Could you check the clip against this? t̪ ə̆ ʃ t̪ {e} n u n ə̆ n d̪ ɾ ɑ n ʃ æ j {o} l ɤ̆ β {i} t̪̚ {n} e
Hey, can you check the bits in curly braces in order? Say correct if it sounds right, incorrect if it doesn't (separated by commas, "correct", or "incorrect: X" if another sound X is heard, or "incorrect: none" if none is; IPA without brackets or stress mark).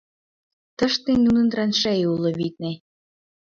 correct, incorrect: u, correct, correct